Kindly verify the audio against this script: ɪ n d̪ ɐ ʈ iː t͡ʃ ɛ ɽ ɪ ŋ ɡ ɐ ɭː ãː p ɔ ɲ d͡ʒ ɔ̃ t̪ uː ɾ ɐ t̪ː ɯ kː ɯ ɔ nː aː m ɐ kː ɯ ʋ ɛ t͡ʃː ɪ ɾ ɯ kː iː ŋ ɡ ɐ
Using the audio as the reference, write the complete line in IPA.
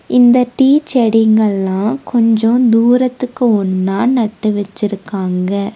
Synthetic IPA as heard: ɪ n d̪ ɐ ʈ iː t͡ʃ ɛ ɽ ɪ ŋ ɡ ɐ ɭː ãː k ɔ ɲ d͡ʒ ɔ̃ d̪ uː ɾ ɐ t̪ː ɯ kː ɯ ɔ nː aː n ɐ ʈː ɯ ʋ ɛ t͡ʃː ɪ ɾ ɯ kː aː ŋ ɡ ɐ